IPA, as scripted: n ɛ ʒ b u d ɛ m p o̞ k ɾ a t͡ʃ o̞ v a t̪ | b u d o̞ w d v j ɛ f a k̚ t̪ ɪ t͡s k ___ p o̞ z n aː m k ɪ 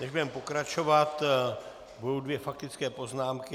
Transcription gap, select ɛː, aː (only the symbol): ɛː